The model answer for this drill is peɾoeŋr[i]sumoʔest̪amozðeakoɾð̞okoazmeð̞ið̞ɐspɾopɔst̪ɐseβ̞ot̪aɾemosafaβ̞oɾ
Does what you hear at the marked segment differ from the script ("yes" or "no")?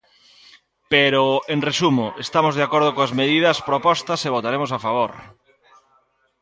yes